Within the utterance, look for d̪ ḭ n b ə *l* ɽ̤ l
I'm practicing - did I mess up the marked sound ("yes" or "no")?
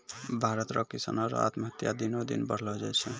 yes